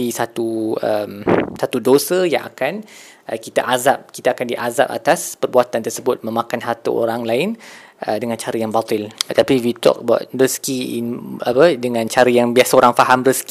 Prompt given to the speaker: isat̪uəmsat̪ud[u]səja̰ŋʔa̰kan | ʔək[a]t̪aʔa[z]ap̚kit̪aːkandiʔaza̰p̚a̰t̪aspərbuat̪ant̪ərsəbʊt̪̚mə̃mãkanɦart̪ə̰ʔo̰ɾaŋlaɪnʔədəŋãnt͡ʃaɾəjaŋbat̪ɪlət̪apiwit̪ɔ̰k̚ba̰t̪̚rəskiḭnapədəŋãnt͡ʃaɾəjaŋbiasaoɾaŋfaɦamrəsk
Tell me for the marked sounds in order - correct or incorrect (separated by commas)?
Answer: incorrect, incorrect, correct